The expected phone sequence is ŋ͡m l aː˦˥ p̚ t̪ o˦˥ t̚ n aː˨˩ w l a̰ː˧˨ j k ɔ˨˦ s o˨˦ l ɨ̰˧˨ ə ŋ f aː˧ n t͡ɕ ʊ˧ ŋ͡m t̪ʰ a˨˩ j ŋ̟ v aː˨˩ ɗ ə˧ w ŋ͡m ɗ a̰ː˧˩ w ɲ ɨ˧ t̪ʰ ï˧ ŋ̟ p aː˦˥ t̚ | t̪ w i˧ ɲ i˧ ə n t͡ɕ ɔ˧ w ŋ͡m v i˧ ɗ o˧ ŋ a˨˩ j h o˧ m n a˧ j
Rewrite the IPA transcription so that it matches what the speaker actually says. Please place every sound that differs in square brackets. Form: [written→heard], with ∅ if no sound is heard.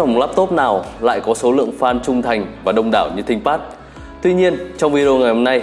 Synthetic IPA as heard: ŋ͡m l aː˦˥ p̚ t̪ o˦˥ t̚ n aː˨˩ w l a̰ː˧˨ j k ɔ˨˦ s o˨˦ l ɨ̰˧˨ ə ŋ f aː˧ n t͡ɕ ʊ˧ ŋ͡m t̪ʰ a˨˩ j ŋ̟ v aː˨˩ ɗ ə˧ w ŋ͡m ɗ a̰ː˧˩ w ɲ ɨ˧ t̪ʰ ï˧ ŋ̟ p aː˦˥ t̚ | t̪ w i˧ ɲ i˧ ə n t͡ɕ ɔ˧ w ŋ͡m v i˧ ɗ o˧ ŋ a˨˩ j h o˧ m n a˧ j